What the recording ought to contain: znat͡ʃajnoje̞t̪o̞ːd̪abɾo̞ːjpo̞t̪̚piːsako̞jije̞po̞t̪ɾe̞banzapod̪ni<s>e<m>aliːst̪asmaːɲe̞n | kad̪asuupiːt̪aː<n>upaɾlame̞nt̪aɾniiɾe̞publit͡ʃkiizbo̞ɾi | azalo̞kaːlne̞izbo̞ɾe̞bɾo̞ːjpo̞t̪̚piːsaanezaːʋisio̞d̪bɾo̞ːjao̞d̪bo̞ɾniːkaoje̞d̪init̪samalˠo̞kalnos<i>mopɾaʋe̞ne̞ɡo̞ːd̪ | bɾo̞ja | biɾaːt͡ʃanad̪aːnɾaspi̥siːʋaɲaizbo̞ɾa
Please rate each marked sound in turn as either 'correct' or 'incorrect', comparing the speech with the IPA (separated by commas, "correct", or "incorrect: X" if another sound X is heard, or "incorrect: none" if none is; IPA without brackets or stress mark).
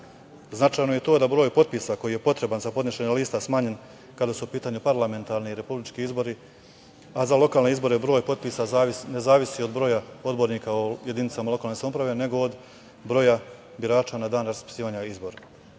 incorrect: ʃ, incorrect: ɲ, incorrect: ɲ, incorrect: a